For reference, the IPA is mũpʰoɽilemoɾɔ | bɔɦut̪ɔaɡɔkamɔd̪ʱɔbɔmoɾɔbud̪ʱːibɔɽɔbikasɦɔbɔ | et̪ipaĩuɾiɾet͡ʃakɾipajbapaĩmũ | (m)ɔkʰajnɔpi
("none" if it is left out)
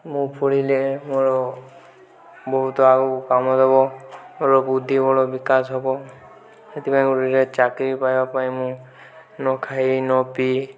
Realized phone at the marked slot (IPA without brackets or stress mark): n